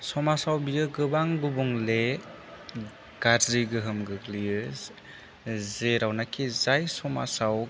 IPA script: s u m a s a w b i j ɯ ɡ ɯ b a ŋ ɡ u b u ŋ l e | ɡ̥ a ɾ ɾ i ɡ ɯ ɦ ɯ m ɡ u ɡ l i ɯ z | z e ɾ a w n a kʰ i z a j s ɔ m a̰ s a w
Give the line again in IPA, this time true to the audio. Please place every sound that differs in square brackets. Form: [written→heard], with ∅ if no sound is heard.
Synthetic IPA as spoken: s [u→ɔ] m a s a w b i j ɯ ɡ ɯ b a ŋ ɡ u b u ŋ l e | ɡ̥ a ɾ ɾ i ɡ ɯ ɦ ɯ m ɡ [u→ɯ] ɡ l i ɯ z | z e ɾ a w n a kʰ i z a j s ɔ m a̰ s a w